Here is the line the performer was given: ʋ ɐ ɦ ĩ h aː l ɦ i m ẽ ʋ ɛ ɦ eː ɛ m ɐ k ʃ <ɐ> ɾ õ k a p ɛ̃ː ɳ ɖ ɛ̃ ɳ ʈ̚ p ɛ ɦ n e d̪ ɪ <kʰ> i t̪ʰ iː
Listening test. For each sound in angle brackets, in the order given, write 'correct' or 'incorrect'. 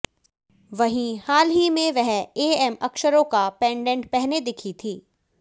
incorrect, correct

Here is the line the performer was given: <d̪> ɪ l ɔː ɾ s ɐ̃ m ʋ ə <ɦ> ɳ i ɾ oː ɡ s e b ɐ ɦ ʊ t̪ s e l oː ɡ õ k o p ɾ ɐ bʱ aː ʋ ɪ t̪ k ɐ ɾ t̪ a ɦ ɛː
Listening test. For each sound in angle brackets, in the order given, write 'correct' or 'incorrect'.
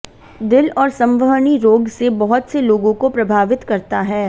correct, correct

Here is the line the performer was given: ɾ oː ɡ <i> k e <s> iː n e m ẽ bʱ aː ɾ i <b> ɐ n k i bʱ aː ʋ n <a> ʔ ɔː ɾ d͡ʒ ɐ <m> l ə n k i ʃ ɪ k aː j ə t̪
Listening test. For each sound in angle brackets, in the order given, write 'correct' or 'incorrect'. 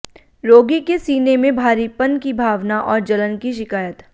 correct, correct, incorrect, correct, incorrect

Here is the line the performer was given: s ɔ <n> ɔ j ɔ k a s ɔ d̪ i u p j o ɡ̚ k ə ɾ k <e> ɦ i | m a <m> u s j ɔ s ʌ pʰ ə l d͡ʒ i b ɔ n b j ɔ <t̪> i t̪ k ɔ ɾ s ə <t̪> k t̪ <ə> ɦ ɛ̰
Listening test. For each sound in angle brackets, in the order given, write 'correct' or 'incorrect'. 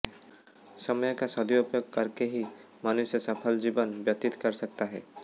incorrect, correct, incorrect, correct, incorrect, incorrect

